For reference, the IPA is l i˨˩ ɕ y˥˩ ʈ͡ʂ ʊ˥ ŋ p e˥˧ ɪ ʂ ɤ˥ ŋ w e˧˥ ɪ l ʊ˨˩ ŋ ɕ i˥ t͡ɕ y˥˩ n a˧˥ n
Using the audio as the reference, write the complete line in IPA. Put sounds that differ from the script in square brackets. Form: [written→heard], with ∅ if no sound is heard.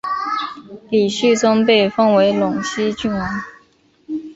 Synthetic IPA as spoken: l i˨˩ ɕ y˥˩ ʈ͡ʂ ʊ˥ ŋ p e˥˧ ɪ [ʂ→f] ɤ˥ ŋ w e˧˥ ɪ l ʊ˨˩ ŋ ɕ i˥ t͡ɕ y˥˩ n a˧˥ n